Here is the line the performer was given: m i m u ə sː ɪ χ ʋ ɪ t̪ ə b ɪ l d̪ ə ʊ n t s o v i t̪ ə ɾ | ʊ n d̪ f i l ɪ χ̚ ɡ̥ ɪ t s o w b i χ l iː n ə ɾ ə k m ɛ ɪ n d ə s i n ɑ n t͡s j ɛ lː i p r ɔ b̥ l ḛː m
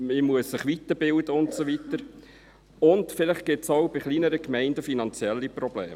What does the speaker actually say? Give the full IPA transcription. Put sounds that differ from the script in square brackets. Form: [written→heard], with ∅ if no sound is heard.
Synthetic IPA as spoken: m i m u ə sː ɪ χ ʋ [ɪ→i] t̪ ə b ɪ l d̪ ə ʊ n t s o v i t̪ ə ɾ | ʊ n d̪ f [i→ɪ] l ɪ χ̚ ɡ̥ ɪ t s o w b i χ l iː n ə ɾ ə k m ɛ ɪ n d ə [s→f] i n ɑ n t͡s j ɛ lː i p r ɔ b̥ l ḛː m